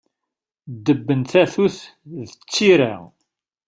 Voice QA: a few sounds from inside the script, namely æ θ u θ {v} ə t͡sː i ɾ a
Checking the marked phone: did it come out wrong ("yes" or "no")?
yes